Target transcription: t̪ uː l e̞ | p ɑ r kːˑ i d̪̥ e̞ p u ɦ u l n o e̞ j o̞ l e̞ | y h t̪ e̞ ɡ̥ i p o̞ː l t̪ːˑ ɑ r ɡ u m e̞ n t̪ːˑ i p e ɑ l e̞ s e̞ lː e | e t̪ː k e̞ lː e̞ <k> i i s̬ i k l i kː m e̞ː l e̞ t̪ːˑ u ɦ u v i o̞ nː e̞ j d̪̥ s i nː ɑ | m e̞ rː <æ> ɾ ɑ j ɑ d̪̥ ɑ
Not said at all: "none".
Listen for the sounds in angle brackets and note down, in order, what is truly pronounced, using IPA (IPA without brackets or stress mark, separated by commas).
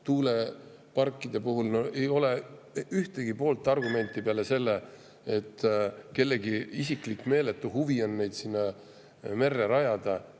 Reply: ɡ, e